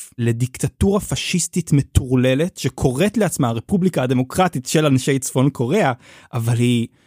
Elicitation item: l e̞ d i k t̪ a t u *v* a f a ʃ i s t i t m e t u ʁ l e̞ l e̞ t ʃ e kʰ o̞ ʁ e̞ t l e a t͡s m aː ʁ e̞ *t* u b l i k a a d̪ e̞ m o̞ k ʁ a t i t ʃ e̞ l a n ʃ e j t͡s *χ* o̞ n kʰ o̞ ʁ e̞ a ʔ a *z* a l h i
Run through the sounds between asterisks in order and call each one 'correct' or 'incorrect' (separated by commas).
incorrect, incorrect, incorrect, incorrect